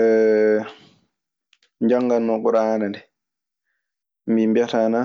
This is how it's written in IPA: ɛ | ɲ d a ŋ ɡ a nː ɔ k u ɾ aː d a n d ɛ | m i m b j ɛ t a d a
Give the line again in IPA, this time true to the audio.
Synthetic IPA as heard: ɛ | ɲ d͡ʒ a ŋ ɡ a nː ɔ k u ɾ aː n a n d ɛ | m i m b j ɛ t a n a

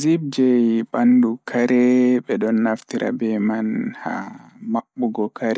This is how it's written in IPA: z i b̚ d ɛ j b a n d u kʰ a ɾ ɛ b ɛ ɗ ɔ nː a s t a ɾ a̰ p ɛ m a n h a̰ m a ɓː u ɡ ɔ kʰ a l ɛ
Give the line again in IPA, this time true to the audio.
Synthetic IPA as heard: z i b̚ d͡ʒ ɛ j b a n d u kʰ a ɾ ɛ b ɛ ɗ ɔ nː a f t i ɾ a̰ b ɛ m a n h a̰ m a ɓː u ɡ ɔ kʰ a ɾ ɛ

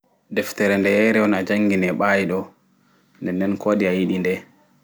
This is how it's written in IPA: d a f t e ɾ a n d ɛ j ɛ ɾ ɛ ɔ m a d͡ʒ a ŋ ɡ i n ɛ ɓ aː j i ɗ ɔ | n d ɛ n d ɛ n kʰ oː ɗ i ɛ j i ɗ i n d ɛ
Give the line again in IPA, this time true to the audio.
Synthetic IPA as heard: d ɛ f t ɛ ɾ ɛ n d ɛ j ɛ ɾ ɛ ɔ n a d͡ʒ a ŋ ɡ i n ɛ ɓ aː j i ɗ ɔ | n d ɛ n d ɛ n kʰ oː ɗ i a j i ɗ i n d ɛ

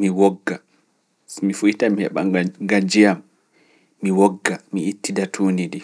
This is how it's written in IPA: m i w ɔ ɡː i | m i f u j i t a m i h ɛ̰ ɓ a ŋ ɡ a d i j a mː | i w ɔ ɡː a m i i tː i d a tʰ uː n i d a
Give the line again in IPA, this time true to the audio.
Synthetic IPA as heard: m i w ɔ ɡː a | m i f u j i t a m i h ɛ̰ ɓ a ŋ ɡ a d͡ʒ i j a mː | i w ɔ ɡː a m i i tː i d a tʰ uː n i d i

